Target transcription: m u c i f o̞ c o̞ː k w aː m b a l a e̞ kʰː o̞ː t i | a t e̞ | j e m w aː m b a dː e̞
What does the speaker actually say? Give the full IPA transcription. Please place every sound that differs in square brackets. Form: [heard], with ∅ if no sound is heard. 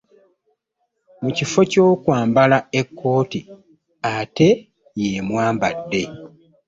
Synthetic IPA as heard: m u c i f o̞ c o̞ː k w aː m b a l a e̞ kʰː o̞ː t i | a t e̞ | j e m w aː m b a dː e̞

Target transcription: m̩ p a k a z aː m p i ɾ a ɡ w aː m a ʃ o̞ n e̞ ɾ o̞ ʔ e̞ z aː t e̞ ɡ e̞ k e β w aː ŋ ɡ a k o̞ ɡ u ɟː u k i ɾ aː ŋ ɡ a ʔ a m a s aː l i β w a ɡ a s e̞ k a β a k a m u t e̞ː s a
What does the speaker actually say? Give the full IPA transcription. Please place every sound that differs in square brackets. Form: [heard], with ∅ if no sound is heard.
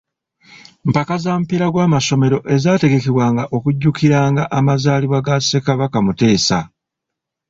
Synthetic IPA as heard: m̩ p a k a z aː m p i ɾ a ɡ w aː m a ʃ o̞ [m] e̞ ɾ o̞ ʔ e̞ z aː t e̞ ɡ e̞ k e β w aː ŋ ɡ a [ʔ] o̞ [k] u ɟː u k i ɾ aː ŋ ɡ a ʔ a m a [z] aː l i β w a ɡ a s e̞ k a β a k a m u t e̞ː s a

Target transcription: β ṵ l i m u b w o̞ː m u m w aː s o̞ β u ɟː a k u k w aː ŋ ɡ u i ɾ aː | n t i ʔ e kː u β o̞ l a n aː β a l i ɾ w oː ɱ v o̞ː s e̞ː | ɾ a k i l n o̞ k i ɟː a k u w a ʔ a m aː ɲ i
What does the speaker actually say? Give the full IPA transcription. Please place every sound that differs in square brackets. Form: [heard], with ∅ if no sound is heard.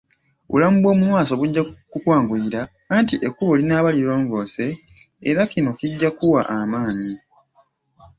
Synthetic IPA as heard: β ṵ l [a] m u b w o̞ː m u m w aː s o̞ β u ɟː a k u k w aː ŋ ɡ u i ɾ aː | n t i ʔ e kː u β o̞ l [i] n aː β a l i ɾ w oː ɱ v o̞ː s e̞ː | ɾ a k i [∅] n o̞ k i ɟː a k u w a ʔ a m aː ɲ i

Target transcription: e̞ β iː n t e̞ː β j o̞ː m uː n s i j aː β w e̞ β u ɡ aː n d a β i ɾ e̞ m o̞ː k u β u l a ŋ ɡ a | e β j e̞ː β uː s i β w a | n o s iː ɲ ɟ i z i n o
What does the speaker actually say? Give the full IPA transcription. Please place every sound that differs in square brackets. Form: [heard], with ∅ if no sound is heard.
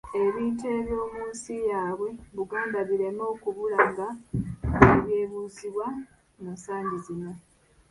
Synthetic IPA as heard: e̞ β iː n t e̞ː β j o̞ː m uː n s i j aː β w e̞ β u ɡ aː n d a β i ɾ e̞ m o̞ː k u β u l a ŋ ɡ a | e β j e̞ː β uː [z] i β w a | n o s [aː] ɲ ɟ i z i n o

